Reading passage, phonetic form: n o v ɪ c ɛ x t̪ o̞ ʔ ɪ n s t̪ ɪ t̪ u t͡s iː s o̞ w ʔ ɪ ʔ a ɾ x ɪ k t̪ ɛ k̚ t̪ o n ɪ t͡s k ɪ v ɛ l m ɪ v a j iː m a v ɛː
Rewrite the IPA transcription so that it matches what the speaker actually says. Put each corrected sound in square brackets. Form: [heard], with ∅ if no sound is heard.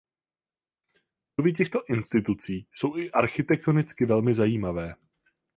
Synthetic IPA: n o v ɪ c ɛ x t̪ o̞ ʔ ɪ n s t̪ ɪ t̪ u t͡s iː s o̞ w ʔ ɪ ʔ a ɾ x ɪ [∅] t̪ ɛ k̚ t̪ o n ɪ t͡s k ɪ v ɛ l m ɪ [z] a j iː m a v ɛː